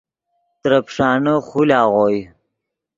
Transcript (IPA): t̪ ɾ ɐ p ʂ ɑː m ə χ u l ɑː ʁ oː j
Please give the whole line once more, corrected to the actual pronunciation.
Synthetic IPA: t̪ ɾ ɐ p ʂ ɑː n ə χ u l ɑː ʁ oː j